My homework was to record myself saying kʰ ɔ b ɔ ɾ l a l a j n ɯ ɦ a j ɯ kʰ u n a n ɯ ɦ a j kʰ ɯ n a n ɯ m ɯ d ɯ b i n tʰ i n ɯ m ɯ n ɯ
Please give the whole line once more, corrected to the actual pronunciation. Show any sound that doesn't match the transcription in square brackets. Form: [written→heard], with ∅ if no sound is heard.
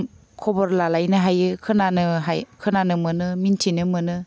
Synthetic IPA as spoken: kʰ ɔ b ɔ ɾ l a l a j n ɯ ɦ a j ɯ kʰ [u→ɯ] n a n ɯ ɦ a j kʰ ɯ n a n ɯ m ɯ [d→n] ɯ [b→m] i n tʰ i n ɯ m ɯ n ɯ

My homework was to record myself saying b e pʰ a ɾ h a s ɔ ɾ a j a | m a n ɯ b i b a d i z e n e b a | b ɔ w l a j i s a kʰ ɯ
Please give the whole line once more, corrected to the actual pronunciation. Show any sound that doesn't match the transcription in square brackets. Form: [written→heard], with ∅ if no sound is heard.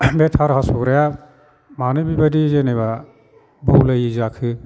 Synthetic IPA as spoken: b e [pʰ→tʰ] a ɾ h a s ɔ ɾ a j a | m a n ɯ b i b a d i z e n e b a | b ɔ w l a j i [s→z] a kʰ ɯ

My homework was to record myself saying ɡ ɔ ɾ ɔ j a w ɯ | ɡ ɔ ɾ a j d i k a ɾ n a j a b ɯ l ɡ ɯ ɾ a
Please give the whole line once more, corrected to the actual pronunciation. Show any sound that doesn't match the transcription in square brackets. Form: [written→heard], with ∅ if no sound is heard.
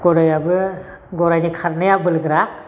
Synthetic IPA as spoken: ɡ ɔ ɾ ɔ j a [w→b] ɯ | ɡ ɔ ɾ a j [d→n] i [k→kʰ] a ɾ n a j a b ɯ l ɡ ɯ ɾ a

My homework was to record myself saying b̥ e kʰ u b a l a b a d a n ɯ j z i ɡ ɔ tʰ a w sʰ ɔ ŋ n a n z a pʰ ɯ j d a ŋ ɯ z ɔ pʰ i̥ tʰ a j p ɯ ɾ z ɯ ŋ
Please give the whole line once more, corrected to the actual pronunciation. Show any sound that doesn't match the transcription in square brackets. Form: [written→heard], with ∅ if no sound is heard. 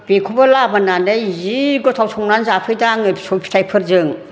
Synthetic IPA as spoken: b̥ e kʰ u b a l a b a [d→n] a n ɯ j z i ɡ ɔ tʰ a w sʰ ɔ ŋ n a n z a pʰ ɯ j d a ŋ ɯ [z→s] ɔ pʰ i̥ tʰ a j [p→pʰ] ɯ ɾ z ɯ ŋ

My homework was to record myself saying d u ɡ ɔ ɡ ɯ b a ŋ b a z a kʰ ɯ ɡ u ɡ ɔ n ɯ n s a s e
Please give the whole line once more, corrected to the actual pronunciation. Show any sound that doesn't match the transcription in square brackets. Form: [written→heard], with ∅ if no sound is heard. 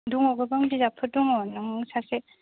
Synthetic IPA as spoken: d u [ɡ→ŋ] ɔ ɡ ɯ b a ŋ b [a→i] z a [kʰ→pʰ] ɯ [ɡ→d] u [ɡ→ŋ] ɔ n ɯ [n→ŋ] s a s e

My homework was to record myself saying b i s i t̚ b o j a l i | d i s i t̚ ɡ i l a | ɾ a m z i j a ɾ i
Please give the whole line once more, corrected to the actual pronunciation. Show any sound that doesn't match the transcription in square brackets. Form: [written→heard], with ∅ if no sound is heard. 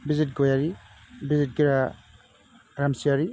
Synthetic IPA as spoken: b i [s→z] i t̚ [b→ɡ] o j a [l→ɾ] i | [d→b] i [s→z] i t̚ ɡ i [l→ɾ] a | ɾ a m [z→s] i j a ɾ i

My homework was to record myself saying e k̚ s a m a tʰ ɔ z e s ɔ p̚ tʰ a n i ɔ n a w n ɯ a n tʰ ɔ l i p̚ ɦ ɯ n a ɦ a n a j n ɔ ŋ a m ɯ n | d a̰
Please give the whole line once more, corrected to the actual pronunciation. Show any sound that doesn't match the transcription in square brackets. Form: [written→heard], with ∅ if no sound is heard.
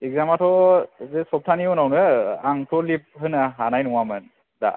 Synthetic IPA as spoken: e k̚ [s→z] a m a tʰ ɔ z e s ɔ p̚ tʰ a n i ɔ n a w n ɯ a [n→ŋ] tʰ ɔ l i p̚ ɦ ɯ n a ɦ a n a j n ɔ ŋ a m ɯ n | d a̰

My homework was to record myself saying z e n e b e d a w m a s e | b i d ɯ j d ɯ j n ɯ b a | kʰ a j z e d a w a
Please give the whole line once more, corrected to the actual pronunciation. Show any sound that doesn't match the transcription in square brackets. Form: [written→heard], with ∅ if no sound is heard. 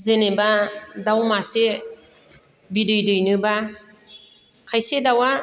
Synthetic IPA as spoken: z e n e b [e→a] d a w m a s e | b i d ɯ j d ɯ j n ɯ b a | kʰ a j [z→s] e d a w a

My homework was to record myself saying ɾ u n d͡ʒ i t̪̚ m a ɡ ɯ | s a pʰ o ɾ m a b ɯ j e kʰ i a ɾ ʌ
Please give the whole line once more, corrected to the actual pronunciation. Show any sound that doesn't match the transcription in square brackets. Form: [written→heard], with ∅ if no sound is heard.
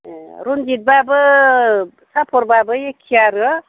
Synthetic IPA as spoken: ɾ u n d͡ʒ i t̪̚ [m→b] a [ɡ→b] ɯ | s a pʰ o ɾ [m→b] a b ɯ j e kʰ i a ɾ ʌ

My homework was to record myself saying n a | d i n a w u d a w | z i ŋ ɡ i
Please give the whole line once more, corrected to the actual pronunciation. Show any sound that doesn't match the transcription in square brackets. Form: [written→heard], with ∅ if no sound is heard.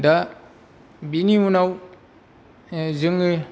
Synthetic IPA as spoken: [n→d] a | [d→b] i n [a→i] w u [d→n] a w | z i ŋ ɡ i

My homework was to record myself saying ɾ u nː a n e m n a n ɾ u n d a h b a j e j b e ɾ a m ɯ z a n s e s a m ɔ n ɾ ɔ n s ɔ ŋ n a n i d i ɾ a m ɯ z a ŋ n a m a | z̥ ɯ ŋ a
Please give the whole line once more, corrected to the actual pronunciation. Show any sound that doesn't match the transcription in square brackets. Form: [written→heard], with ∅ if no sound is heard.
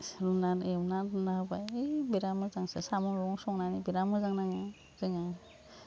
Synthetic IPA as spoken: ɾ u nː a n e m n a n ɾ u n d a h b a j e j b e ɾ a m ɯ z a [n→ŋ] s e s a m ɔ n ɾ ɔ [n→ŋ] s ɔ ŋ n a n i [d→b] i ɾ a m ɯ z a ŋ n a [m→ŋ] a | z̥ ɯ ŋ a

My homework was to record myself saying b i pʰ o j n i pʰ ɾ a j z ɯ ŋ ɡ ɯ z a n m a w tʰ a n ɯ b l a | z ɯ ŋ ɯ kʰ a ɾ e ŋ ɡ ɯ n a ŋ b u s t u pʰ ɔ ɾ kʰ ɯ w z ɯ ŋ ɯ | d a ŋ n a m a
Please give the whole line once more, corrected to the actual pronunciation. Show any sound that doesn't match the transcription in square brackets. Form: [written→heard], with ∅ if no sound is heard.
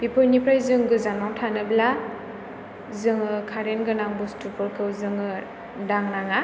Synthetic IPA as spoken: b i pʰ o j n i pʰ ɾ a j z ɯ ŋ ɡ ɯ z a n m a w tʰ a n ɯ b l a | z ɯ ŋ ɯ kʰ a ɾ e [ŋ→n] ɡ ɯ n a ŋ b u s t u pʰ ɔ ɾ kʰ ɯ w z ɯ ŋ ɯ | d a ŋ n a [m→ŋ] a

